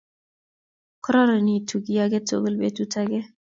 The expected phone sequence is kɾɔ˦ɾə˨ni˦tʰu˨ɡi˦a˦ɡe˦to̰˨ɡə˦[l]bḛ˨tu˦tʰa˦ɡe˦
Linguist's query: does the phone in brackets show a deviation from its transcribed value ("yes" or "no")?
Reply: no